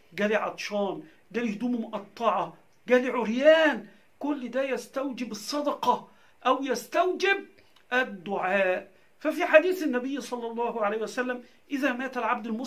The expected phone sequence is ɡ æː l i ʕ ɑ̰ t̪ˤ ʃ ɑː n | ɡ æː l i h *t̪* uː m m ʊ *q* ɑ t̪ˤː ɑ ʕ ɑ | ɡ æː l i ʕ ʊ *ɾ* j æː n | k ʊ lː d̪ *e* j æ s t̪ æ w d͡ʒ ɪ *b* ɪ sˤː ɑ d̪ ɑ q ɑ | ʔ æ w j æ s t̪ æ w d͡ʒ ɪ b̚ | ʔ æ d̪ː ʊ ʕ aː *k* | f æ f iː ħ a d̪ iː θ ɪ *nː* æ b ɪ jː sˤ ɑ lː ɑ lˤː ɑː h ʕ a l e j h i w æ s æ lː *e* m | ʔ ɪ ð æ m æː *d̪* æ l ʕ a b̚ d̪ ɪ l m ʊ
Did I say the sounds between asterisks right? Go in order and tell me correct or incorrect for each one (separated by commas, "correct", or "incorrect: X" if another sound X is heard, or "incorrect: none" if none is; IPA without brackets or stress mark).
incorrect: d̪, incorrect: ʔ, correct, incorrect: æ, correct, incorrect: ʔ, correct, incorrect: æ, incorrect: t̪